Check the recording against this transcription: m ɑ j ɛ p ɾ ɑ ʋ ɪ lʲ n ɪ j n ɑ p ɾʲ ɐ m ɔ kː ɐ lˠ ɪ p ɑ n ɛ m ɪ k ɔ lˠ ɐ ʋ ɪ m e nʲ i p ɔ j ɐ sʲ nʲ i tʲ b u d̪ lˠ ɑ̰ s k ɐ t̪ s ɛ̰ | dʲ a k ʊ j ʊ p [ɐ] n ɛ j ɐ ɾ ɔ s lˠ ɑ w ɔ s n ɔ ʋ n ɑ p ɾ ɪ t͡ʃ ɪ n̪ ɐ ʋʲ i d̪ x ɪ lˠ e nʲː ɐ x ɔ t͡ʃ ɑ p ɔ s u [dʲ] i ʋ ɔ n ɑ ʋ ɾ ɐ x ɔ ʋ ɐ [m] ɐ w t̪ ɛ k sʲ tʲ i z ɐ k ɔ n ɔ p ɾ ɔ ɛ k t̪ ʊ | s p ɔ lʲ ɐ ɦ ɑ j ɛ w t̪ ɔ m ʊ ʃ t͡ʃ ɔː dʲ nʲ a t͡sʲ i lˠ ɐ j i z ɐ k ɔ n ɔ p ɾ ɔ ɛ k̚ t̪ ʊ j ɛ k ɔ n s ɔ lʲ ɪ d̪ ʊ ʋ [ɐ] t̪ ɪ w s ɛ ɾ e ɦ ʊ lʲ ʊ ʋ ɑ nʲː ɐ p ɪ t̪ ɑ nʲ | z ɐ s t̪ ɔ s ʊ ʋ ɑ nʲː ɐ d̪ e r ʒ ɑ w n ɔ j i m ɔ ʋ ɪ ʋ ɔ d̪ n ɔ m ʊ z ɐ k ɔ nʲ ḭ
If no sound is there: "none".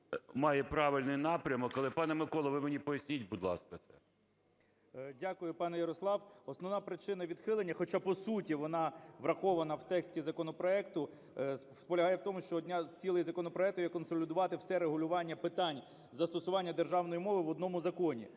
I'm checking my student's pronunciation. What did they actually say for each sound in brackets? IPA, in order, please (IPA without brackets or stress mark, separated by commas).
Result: ɑ, tʲ, n, ɑ